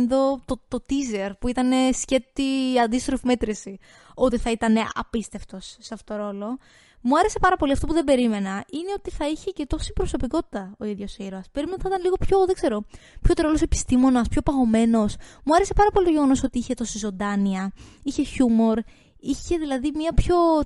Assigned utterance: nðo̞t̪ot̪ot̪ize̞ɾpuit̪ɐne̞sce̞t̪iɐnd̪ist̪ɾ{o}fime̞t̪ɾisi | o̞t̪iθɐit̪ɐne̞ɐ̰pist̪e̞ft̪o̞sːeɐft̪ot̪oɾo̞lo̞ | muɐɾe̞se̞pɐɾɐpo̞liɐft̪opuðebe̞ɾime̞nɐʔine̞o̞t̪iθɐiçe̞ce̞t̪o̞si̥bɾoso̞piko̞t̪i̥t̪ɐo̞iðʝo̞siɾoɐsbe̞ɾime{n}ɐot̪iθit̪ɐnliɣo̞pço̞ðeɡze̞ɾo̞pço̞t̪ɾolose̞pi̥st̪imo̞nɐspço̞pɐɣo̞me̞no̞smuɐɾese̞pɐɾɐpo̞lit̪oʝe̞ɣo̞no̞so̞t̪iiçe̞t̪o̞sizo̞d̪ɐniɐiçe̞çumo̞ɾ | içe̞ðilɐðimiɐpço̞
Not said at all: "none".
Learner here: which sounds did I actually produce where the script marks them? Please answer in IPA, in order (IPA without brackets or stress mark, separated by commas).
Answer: o, n